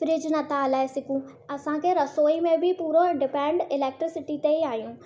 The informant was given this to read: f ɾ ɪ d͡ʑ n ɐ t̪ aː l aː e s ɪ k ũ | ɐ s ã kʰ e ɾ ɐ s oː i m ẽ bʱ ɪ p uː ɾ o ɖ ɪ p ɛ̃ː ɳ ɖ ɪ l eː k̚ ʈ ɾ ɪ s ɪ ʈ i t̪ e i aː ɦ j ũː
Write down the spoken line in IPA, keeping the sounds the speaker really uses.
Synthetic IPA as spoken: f ɾ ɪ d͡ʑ n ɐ t̪ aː l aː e s ɪ k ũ | ɐ s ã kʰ e ɾ ɐ s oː i m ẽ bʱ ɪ p uː ɾ o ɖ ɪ p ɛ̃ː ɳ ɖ ɪ l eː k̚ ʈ ɾ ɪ s ɪ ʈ i t̪ e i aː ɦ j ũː